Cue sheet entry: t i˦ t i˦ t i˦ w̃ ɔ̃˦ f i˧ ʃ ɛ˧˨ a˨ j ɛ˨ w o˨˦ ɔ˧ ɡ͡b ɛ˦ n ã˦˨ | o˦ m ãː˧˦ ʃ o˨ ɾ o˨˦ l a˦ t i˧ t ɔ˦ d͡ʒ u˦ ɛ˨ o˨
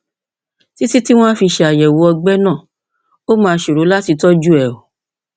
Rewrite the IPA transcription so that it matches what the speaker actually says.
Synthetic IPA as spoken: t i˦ t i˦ t i˦ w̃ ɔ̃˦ f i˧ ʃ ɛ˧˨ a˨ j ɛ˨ w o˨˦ ɔ˧ ɡ͡b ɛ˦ n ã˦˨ | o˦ m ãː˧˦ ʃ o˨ ɾ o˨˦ l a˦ t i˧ t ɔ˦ d͡ʒ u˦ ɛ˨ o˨